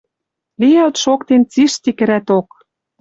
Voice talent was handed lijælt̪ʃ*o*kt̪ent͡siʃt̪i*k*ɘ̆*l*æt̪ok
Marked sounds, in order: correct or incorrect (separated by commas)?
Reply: correct, correct, incorrect